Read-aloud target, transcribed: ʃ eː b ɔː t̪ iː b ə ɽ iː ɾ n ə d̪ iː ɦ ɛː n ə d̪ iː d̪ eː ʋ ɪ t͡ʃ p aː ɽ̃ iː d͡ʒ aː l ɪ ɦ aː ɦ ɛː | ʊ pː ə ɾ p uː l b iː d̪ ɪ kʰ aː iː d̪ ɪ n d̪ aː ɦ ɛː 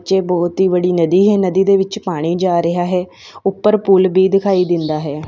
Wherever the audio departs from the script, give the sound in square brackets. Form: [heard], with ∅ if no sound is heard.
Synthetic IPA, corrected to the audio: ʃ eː b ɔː t̪ iː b ə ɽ iː [∅] n ə d̪ iː ɦ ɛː n ə d̪ iː d̪ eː ʋ ɪ t͡ʃ p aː ɽ̃ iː d͡ʒ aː [ɾ] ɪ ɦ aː ɦ ɛː | ʊ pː ə ɾ p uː l b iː d̪ ɪ kʰ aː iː d̪ ɪ n d̪ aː ɦ ɛː